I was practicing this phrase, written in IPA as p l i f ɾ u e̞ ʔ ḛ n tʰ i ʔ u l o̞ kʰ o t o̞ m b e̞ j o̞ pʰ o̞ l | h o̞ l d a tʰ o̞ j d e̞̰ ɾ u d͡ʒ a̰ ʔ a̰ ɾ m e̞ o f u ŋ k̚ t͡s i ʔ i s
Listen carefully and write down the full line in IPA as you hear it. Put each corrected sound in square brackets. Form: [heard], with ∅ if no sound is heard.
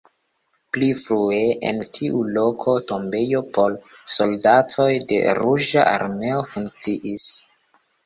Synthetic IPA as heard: p l i f ɾ u e̞ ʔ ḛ n tʰ i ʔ u l o̞ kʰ o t o̞ m b e̞ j o̞ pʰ o̞ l | [s] o̞ l d a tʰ o̞ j d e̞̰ ɾ u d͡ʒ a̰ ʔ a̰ ɾ m e̞ o f u ŋ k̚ t͡s i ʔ i s